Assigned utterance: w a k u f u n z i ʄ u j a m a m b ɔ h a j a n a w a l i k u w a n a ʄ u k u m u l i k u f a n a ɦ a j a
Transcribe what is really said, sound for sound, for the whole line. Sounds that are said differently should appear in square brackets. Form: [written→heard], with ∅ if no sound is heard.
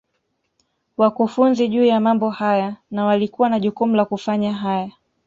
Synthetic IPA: w a k u f u n z i ʄ [u→uː] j a m a m b ɔ h a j a n a w a l i k u w a n a ʄ u k u m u l [i→a] k u f a [n→ɲ] a ɦ a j a